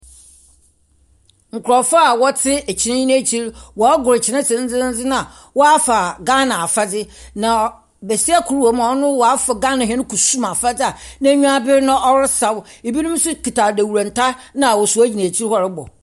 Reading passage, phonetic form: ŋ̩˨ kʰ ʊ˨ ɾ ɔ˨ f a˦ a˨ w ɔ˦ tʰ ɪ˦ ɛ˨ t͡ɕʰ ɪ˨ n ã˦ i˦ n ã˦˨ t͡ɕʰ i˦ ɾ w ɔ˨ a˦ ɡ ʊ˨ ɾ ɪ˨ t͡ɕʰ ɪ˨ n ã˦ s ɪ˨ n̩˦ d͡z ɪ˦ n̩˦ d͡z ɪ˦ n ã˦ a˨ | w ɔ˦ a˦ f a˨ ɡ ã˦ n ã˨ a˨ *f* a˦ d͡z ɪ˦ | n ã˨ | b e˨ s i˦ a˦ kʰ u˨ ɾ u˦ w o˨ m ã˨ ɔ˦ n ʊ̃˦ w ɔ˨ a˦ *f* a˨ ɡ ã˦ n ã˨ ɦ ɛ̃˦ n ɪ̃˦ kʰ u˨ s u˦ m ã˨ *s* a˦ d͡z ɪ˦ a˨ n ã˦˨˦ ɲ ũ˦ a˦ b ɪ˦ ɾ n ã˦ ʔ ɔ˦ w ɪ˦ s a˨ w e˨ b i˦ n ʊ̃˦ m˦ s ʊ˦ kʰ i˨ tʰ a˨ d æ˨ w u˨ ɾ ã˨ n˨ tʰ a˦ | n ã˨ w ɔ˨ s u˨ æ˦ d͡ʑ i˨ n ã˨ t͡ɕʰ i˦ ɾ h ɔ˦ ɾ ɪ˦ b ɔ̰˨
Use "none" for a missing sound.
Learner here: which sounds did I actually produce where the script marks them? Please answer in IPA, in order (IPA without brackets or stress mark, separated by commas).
f, f, f